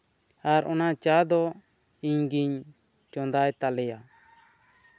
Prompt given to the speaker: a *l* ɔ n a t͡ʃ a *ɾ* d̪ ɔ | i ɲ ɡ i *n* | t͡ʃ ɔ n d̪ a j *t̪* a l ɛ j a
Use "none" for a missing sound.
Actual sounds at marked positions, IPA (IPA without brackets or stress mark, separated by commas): ɾ, none, ɲ, t̪